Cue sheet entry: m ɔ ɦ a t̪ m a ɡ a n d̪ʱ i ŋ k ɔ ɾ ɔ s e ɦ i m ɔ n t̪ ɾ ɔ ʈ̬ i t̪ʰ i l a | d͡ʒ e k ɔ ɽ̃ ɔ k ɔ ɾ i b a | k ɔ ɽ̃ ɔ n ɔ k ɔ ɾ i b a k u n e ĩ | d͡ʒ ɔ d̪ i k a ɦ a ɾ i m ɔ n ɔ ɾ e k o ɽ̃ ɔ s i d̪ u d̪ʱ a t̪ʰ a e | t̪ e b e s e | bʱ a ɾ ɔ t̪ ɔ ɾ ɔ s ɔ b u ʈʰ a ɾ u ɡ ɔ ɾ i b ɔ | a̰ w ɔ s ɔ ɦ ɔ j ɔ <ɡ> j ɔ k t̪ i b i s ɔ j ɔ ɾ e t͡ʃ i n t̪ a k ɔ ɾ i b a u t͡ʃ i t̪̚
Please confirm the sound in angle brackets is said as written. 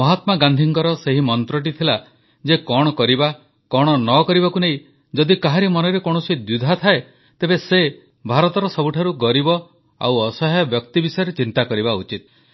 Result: no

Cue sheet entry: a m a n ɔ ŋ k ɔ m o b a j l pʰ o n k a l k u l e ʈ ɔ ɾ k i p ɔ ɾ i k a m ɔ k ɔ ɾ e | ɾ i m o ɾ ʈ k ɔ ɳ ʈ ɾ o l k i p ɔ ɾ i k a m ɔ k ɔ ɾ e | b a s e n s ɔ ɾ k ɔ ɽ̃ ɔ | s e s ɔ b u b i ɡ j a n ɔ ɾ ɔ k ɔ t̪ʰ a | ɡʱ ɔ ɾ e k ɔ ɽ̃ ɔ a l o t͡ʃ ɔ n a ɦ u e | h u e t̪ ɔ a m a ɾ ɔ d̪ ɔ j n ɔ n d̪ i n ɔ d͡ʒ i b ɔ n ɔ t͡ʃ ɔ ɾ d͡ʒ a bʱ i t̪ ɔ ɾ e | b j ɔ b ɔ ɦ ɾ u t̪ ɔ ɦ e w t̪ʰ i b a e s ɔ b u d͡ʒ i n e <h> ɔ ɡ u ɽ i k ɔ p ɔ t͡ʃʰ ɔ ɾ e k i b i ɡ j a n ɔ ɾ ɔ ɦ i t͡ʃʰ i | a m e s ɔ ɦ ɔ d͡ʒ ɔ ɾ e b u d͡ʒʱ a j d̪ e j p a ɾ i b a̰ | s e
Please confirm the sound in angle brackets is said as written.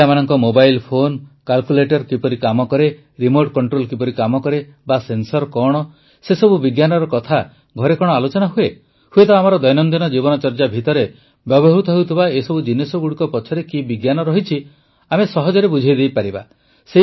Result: no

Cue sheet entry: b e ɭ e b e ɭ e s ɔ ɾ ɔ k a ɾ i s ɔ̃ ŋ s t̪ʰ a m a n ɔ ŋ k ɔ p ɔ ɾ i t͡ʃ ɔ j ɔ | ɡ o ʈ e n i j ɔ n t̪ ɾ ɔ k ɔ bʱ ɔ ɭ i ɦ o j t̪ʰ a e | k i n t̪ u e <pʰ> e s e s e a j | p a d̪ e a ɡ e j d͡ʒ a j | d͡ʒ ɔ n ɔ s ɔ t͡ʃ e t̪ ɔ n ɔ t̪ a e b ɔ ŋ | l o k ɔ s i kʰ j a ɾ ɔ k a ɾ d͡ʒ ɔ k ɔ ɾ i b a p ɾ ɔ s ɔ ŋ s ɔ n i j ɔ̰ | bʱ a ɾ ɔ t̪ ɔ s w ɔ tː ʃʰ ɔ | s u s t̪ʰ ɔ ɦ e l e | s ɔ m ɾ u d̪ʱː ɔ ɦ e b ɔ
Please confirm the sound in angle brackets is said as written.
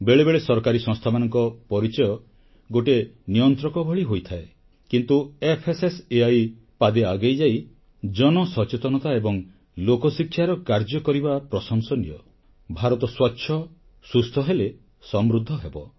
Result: yes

